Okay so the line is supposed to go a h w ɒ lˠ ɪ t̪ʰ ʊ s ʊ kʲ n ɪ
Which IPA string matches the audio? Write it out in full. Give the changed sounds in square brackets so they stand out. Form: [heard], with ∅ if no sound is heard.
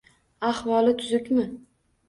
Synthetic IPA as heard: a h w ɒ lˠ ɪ t̪ʰ ʊ [z] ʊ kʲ [m] ɪ